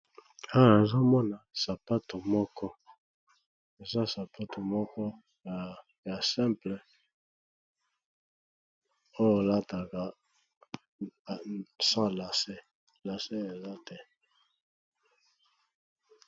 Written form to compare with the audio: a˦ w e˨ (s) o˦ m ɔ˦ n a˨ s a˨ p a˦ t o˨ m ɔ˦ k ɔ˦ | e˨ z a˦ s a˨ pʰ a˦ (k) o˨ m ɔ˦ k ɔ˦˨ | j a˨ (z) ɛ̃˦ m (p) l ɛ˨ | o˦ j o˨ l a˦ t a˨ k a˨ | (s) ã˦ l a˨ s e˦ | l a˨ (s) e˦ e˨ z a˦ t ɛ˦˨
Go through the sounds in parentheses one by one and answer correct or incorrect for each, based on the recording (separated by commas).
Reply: incorrect, incorrect, incorrect, correct, correct, correct